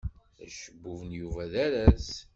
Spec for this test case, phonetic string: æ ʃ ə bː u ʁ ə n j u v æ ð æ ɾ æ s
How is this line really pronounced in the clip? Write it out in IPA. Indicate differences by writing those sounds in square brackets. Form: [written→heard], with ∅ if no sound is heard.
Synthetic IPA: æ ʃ ə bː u [ʁ→v] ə n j u v æ ð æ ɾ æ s